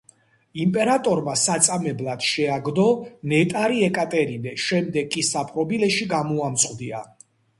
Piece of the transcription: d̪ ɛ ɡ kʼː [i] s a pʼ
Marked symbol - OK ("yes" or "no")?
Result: yes